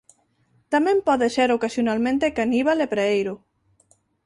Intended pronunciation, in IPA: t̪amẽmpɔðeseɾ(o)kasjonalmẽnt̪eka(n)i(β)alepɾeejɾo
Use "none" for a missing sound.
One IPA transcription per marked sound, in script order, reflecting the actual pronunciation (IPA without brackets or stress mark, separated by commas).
o, n, β